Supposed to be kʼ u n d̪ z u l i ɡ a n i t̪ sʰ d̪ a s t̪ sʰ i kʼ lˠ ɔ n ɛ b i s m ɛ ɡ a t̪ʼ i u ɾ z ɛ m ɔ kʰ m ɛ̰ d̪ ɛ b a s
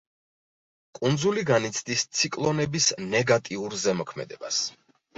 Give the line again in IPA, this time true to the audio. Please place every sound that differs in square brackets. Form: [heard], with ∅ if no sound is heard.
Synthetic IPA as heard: kʼ u n d̪ z u l i ɡ a n i t̪ sʰ d̪ [i] s t̪ sʰ i kʼ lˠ ɔ n ɛ b i s [n] ɛ ɡ a t̪ʼ i u ɾ z ɛ m ɔ kʰ m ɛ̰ d̪ ɛ b a s